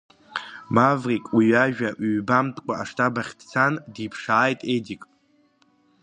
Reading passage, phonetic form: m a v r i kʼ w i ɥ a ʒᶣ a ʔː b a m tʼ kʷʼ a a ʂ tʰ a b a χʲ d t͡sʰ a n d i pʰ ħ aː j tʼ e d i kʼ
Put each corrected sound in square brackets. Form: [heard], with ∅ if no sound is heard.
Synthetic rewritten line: m a v r i kʼ w i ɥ a ʒᶣ a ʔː b a m tʼ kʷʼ a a ʂ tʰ a b a χʲ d t͡sʰ a n d i pʰ [ʂ] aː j tʼ e d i kʼ